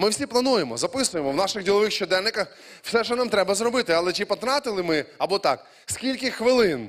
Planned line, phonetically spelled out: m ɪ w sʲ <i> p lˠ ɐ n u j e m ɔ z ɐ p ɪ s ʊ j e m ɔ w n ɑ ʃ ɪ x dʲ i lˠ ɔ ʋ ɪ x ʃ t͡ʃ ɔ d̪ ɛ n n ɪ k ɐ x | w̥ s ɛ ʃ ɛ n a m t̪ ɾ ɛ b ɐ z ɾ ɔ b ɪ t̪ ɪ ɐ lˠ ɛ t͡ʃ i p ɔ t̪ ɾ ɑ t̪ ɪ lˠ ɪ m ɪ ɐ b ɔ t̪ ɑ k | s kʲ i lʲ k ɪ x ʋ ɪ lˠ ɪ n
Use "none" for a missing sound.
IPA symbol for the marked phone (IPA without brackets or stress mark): i